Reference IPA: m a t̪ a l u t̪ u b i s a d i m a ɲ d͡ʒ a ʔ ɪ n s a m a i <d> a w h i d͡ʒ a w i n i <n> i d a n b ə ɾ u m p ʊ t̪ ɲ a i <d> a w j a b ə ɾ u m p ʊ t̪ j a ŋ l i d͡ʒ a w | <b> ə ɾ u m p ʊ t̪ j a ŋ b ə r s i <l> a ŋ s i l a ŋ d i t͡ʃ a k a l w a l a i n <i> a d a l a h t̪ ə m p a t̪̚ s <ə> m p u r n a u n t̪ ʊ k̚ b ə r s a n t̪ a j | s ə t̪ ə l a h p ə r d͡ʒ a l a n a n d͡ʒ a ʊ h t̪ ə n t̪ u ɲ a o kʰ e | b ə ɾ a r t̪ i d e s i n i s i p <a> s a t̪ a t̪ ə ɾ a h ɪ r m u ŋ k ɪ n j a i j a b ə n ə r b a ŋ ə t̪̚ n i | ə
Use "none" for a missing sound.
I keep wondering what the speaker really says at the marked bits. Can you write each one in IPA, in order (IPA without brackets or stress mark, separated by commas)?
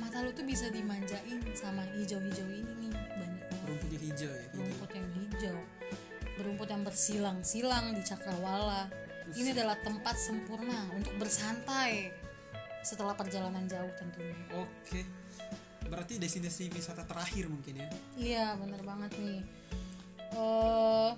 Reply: d͡ʒ, n, d͡ʒ, b, l, i, ə, i